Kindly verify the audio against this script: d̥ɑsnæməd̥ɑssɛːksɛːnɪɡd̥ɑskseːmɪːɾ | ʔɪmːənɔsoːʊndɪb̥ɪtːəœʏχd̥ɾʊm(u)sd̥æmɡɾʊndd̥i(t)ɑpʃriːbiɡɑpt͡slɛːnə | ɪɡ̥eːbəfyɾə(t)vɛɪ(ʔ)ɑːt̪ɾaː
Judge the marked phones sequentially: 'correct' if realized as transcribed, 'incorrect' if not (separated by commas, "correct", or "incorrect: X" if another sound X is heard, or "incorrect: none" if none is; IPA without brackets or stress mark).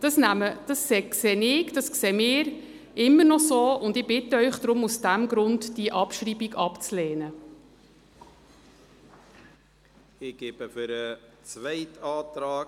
correct, incorrect: ʔ, incorrect: t͡s, incorrect: t